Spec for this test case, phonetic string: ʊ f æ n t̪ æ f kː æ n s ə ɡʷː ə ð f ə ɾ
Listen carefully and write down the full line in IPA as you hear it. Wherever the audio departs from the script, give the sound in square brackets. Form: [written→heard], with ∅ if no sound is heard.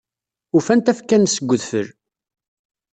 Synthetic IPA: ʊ f æ n t̪ æ f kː æ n s ə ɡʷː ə ð f ə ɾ